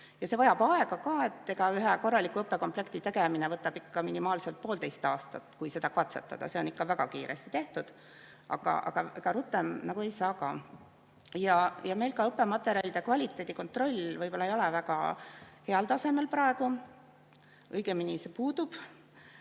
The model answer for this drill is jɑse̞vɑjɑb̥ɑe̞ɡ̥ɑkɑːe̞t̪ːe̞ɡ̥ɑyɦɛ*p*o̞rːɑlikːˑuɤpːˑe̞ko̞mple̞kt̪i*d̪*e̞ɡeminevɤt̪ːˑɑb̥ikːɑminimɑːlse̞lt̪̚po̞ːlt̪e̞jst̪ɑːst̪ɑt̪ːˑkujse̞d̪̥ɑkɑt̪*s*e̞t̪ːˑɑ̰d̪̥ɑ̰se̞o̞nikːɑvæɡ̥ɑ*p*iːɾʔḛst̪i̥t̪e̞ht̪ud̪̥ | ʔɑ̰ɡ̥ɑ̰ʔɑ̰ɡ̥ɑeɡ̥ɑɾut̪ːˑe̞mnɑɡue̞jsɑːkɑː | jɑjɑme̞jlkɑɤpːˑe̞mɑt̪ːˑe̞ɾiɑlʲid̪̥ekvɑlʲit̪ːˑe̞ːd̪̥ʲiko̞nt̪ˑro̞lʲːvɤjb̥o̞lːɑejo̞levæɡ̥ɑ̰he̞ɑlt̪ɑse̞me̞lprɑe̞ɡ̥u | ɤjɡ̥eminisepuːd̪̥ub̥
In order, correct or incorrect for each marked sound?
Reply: incorrect: k, incorrect: t̪, correct, incorrect: k

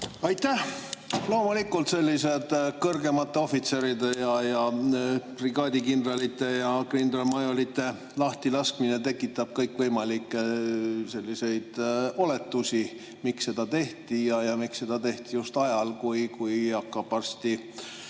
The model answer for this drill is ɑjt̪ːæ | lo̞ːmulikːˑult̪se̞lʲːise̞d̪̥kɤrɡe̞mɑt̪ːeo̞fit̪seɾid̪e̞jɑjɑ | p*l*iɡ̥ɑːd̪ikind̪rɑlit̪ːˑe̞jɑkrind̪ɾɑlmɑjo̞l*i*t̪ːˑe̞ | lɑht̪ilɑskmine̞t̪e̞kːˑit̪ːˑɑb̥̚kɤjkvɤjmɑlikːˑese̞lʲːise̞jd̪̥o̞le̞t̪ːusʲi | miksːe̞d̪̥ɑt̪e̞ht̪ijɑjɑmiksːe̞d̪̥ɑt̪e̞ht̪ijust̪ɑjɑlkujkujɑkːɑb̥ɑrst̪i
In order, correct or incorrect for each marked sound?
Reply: incorrect: r, correct

